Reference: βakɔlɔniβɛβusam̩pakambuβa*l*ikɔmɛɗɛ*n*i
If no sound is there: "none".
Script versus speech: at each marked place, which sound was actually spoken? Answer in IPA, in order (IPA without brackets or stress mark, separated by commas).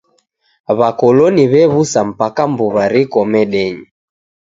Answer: ɾ, ɲ